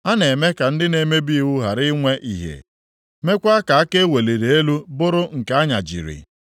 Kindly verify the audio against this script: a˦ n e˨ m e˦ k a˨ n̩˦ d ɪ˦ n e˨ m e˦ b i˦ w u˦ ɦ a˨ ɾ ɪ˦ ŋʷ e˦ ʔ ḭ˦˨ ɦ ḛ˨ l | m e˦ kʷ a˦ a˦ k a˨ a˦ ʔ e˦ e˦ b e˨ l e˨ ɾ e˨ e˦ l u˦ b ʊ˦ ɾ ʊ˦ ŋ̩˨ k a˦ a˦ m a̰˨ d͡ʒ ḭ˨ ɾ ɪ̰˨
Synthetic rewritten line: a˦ n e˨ m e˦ k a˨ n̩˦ d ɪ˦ n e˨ m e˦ b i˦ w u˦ ɦ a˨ ɾ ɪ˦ ŋʷ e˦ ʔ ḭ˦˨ ɦ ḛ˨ | m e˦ kʷ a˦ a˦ k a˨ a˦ k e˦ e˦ w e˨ l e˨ ɾ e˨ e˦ l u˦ b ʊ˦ ɾ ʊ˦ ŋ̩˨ k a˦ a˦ ɲ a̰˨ d͡ʒ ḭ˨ ɾ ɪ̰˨